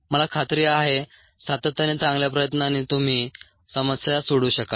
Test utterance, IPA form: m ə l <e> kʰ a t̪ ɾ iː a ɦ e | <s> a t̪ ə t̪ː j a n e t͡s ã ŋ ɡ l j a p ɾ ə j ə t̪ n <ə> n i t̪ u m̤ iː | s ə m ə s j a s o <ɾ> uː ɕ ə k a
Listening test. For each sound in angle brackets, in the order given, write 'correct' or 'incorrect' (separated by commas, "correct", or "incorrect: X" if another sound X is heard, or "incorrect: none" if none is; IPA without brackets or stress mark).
incorrect: a, correct, incorrect: a, incorrect: ɽ